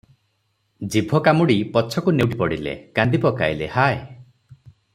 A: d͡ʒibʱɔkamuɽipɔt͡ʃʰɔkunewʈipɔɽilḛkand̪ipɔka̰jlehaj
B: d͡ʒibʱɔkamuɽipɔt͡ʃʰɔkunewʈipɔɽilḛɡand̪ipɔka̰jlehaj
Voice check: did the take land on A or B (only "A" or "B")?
A